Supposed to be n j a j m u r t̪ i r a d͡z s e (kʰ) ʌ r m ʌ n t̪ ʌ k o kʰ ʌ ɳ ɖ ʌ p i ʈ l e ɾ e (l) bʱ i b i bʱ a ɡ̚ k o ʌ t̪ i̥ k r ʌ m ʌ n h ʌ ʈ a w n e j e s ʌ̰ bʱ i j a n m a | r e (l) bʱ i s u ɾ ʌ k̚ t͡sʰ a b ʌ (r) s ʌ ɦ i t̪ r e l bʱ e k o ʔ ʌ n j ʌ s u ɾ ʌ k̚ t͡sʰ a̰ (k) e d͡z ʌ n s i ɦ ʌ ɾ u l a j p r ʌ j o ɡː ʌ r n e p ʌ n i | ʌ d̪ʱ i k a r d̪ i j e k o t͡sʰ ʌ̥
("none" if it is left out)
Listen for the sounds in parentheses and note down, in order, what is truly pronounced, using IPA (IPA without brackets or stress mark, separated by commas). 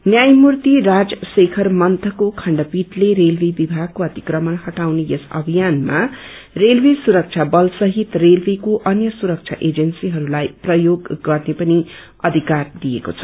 kʰ, l, l, l, ʔ